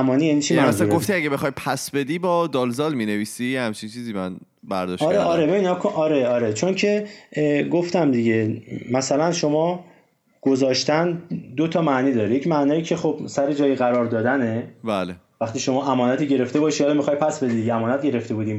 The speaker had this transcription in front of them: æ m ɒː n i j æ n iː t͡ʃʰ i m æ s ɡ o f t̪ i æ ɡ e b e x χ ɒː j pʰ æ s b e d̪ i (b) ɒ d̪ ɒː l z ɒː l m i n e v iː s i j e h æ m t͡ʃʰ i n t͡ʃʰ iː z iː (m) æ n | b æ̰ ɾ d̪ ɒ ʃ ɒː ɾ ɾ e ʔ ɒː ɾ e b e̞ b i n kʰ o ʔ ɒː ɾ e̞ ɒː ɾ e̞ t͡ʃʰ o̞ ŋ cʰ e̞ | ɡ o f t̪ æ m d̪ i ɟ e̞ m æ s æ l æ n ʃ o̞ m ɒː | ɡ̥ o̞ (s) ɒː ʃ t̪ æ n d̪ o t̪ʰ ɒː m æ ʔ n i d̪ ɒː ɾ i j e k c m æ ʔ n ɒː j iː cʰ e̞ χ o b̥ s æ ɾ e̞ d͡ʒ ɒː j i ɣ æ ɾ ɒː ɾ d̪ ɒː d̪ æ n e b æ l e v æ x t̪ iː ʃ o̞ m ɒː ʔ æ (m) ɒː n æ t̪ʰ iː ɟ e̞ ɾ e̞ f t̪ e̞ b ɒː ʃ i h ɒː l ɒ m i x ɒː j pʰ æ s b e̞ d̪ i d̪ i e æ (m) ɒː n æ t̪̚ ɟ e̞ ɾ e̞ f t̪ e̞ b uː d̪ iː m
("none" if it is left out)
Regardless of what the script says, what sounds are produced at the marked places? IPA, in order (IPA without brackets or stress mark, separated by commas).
b, m, z, m, m